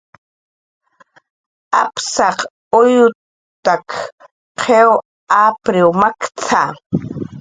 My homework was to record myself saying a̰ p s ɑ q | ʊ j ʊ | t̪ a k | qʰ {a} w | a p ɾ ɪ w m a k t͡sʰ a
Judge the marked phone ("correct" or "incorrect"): incorrect